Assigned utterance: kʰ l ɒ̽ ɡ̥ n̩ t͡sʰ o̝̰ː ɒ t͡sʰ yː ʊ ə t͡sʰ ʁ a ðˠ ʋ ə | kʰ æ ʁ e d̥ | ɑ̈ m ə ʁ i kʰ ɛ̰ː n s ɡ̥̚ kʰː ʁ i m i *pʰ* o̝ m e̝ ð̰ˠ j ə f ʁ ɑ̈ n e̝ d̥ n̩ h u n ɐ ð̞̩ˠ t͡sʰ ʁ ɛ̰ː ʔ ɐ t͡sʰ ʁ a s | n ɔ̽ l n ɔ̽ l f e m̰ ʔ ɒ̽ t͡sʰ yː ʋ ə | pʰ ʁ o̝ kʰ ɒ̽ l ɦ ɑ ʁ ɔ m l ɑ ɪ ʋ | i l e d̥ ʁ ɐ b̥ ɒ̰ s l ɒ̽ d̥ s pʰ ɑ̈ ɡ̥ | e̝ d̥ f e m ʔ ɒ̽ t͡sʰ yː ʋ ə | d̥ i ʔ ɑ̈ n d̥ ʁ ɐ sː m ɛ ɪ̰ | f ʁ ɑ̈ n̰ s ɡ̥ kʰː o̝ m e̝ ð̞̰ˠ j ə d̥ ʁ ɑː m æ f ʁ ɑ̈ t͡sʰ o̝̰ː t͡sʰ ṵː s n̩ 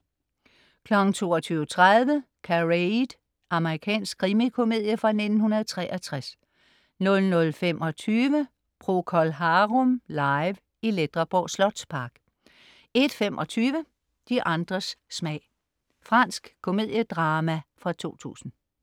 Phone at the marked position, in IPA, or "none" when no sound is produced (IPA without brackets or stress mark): kʰ